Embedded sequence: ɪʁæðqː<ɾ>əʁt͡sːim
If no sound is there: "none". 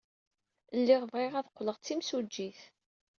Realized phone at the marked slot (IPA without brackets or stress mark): l